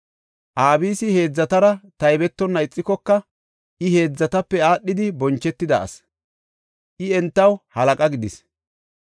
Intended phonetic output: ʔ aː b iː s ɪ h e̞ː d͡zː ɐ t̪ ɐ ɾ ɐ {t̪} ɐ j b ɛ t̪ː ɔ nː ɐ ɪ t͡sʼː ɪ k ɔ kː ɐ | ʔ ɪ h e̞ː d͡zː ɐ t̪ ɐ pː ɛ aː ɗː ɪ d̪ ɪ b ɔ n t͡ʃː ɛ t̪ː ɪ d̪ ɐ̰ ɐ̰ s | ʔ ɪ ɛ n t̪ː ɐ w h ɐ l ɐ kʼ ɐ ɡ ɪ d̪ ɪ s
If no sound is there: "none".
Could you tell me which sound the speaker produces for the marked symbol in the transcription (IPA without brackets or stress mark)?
t̪